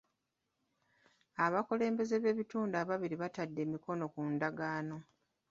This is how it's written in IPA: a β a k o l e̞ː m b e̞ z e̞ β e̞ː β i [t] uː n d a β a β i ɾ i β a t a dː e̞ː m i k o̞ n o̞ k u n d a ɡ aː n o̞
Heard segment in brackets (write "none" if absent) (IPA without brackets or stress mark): t